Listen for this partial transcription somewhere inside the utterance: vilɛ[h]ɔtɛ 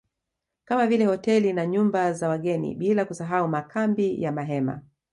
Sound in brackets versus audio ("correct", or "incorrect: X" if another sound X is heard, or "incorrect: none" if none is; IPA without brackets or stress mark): correct